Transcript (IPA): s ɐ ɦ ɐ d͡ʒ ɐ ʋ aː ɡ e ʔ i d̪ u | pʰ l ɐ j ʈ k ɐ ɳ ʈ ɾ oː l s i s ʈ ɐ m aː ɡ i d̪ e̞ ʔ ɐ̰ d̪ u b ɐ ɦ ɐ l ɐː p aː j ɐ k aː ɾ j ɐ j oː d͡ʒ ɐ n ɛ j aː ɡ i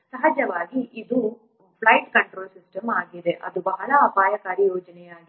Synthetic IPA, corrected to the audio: s ɐ ɦ ɐ d͡ʒ ɐ ʋ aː ɡ i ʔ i d̪ u | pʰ l ɐ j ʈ k ɐ ɳ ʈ ɾ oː l s i s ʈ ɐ m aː ɡ i d̪ e̞ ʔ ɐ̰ d̪ u b ɐ ɦ ɐ l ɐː p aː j ɐ k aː ɾ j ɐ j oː d͡ʒ ɐ n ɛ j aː ɡ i